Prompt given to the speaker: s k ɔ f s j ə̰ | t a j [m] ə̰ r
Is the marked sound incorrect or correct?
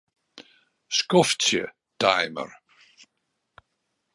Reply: correct